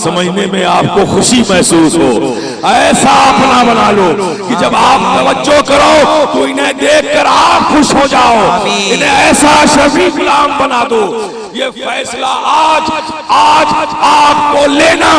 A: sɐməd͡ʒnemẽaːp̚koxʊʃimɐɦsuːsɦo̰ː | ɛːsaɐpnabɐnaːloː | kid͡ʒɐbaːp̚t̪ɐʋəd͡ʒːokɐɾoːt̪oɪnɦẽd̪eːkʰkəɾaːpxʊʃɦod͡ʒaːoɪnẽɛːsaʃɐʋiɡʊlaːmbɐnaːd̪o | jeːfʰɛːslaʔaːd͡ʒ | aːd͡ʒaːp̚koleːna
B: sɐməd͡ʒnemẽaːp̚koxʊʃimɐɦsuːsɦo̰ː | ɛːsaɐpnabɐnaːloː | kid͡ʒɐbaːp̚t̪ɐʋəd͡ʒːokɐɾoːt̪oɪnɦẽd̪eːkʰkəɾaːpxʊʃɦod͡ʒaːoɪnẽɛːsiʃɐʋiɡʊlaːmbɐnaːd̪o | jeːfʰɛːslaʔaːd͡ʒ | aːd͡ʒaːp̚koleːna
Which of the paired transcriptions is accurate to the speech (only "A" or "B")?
A